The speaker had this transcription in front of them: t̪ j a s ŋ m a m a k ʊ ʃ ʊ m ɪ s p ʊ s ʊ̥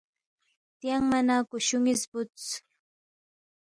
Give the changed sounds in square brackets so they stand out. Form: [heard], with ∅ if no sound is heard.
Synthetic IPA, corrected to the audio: t̪ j a [∅] ŋ m a [n] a k ʊ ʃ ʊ [ŋ] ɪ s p ʊ [t͡s] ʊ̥

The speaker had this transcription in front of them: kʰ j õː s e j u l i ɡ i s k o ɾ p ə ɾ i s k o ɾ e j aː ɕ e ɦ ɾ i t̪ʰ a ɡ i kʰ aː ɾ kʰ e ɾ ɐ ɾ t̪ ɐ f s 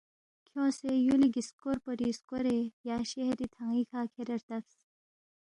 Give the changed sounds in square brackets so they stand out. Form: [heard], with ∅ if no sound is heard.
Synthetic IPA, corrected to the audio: kʰ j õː s e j u l i ɡ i s k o ɾ p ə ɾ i s k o ɾ e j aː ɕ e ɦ ɾ i t̪ʰ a [ŋ] i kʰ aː [∅] kʰ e ɾ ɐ ɾ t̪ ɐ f s

